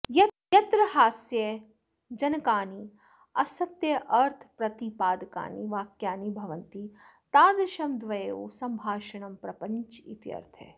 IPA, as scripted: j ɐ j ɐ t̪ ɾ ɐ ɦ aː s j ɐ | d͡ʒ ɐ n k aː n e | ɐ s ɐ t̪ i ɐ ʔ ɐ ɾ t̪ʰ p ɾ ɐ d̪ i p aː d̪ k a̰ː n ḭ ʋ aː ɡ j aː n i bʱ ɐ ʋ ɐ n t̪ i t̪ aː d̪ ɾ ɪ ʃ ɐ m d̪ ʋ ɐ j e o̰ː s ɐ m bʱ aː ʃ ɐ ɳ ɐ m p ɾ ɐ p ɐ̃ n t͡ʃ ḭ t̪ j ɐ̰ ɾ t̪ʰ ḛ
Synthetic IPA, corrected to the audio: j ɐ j ɐ t̪ ɾ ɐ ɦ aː s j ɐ | d͡ʒ ɐ n k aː n i | ɐ s ɐ t̪ j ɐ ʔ ɐ ɾ t̪ʰ p ɾ ɐ t̪ i p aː d̪ k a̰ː n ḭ ʋ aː k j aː n i bʱ ɐ ʋ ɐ n t̪ i t̪ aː d̪ ɾ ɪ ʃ ɐ m d̪ ʋ ɐ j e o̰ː s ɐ m bʱ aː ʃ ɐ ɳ ɐ m p ɾ ɐ p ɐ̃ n t͡ʃ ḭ t̪ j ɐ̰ ɾ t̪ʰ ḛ